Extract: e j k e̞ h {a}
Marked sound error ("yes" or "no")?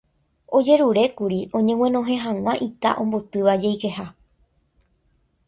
no